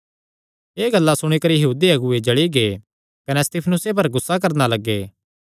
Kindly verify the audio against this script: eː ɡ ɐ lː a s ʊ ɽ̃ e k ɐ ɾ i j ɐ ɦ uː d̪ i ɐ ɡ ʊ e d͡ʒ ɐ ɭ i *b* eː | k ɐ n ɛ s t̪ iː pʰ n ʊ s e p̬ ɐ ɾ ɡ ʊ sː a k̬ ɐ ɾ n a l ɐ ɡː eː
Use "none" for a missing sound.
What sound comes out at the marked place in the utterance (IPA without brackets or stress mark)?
ɡ